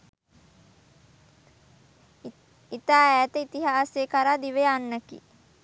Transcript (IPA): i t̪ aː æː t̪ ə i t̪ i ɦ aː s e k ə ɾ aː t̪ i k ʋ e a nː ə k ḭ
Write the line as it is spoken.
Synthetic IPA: i t̪ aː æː t̪ ə i t̪ i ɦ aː s e k a ɾ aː d̪ i ʋ e a nː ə k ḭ